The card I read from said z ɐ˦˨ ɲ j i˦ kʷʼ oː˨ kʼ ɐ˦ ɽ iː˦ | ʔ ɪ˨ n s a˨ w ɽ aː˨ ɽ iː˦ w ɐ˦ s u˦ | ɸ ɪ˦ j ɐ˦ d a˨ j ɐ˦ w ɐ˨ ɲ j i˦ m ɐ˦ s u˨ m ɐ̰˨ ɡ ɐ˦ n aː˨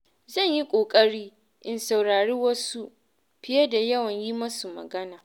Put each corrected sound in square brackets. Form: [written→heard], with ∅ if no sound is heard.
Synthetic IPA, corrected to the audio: z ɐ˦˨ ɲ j i˦ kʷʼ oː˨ kʼ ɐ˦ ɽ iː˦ | ʔ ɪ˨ n s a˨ w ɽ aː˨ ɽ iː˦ w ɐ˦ s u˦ | ɸ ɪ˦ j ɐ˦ d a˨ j ɐ˦ w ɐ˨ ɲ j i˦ m ɐ˦ s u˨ m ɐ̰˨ ɡ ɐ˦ n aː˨